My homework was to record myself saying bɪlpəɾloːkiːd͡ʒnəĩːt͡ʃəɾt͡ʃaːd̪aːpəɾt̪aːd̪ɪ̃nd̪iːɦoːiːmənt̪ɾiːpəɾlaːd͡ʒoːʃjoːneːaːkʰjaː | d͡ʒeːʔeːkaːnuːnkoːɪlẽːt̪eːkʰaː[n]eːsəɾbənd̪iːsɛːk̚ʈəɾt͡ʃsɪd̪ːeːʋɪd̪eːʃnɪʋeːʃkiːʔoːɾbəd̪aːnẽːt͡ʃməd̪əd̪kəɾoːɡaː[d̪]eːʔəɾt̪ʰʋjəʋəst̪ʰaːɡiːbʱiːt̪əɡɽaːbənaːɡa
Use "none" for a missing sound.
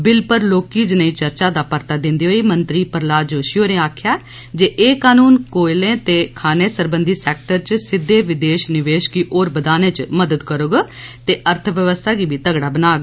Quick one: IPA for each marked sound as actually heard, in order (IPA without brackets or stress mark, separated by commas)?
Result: n, t̪